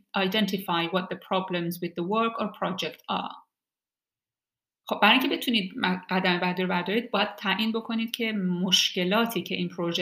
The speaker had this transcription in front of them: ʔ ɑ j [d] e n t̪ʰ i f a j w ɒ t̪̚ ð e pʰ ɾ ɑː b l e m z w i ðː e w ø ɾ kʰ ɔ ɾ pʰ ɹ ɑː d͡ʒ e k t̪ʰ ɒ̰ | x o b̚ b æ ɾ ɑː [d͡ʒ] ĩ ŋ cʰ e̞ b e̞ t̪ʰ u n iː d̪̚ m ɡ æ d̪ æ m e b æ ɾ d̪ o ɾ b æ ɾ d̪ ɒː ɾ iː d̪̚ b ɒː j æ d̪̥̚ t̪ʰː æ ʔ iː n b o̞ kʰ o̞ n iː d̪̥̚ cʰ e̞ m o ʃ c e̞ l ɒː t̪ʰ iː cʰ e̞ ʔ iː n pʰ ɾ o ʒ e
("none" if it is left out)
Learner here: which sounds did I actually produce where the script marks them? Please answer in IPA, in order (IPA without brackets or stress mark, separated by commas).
d, none